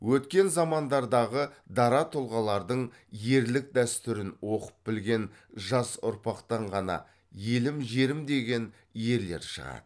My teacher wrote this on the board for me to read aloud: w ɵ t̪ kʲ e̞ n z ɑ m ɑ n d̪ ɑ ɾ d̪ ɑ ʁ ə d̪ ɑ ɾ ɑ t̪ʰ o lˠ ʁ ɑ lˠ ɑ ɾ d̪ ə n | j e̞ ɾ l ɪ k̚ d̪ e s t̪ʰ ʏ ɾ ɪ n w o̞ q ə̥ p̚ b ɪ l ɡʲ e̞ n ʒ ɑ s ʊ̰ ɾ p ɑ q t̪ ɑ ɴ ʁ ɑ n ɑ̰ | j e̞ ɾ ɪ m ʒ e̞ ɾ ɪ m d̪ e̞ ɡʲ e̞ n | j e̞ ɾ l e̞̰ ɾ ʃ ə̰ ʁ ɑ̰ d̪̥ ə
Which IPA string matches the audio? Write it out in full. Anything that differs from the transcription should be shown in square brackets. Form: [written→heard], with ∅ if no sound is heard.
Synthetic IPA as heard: w ɵ t̪ kʲ e̞ n z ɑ m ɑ n d̪ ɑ ɾ d̪ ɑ ʁ ə d̪ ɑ ɾ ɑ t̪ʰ o lˠ ʁ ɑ lˠ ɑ ɾ d̪ ə [n→ɴ] | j e̞ ɾ l ɪ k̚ d̪ [e→æ] s [t̪ʰ→t̪] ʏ ɾ ɪ n w o̞ q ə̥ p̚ b ɪ l ɡʲ e̞ n ʒ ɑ s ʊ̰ ɾ p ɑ q t̪ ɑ ɴ ʁ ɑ n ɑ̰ | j e̞ [ɾ→l] ɪ m ʒ e̞ ɾ ɪ m d̪ e̞ ɡʲ e̞ n | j e̞ ɾ l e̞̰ ɾ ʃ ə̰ ʁ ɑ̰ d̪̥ ə